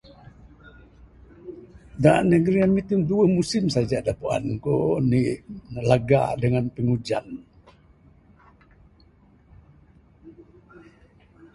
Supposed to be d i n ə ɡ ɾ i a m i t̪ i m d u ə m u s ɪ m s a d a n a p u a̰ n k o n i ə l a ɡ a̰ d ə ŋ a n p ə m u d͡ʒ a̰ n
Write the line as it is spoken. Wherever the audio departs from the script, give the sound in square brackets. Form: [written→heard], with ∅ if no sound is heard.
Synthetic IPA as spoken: d [i→a] n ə ɡ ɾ i a m i t̪ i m d u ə m u s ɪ m s a [d→d͡ʒ] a [n→d] a p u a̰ n k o n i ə l a ɡ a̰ d ə ŋ a n p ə [m→ŋ] u d͡ʒ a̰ n